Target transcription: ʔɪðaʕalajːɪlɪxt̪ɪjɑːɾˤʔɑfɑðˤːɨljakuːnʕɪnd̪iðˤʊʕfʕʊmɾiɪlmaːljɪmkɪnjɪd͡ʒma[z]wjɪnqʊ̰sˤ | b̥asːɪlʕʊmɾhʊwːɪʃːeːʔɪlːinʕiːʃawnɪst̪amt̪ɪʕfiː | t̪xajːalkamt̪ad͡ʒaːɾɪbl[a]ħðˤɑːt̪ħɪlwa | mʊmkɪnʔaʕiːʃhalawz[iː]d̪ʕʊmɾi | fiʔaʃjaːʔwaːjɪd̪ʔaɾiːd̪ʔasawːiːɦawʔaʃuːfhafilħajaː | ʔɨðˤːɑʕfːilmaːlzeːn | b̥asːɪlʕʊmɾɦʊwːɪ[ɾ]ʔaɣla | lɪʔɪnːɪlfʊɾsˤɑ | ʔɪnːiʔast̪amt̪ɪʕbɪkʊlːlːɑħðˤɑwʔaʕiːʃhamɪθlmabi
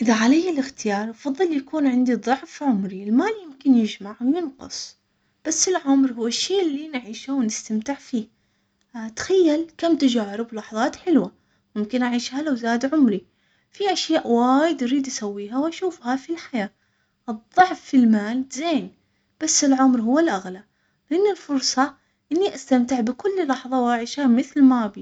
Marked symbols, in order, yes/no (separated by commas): no, no, no, no